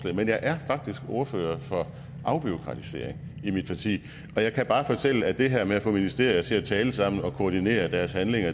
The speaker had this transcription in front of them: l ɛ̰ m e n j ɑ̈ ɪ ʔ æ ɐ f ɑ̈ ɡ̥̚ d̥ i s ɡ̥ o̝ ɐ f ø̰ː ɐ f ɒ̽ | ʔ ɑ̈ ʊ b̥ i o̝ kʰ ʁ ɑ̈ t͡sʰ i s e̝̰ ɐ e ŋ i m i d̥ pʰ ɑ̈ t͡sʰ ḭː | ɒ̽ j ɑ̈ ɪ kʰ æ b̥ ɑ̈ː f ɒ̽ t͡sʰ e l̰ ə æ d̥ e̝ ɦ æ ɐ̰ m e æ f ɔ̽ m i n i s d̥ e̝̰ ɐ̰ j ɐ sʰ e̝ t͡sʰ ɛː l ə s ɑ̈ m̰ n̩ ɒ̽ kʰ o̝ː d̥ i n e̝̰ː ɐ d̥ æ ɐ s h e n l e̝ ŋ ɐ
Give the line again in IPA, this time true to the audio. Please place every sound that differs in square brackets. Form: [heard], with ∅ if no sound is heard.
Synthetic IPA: l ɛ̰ m e n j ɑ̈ ɪ ʔ æ ɐ f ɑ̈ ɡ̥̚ d̥ i s ɡ̥ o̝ ɐ f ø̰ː ɐ f ɒ̽ | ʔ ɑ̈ ʊ b̥ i o̝ kʰ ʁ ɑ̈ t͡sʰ i s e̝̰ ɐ e ŋ i m i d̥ pʰ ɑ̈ t͡sʰ ḭː | ɒ̽ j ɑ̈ ɪ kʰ æ b̥ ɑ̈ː f ɒ̽ t͡sʰ e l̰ ə æ d̥ e̝ ɦ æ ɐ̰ m e æ f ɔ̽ m i n i s d̥ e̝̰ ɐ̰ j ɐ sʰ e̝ t͡sʰ ɛː l ə s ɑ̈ m̰ n̩ ɒ̽ kʰ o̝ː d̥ i n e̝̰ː ɐ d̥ æ ɐ s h [æ] n l e̝ ŋ ɐ